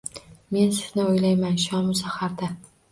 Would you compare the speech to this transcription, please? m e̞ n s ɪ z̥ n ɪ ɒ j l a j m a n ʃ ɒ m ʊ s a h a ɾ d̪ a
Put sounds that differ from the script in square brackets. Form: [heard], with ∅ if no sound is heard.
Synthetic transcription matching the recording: m e̞ n s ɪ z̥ n ɪ [o] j l a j m a n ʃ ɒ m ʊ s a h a ɾ d̪ a